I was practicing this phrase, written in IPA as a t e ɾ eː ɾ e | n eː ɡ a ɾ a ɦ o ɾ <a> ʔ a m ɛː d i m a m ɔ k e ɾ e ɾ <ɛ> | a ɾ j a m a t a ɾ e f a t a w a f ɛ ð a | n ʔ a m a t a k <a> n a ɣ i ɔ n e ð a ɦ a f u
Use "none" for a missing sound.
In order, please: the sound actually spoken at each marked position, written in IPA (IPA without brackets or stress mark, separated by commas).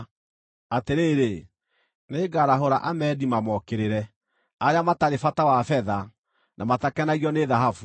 a, ɛ, ɛ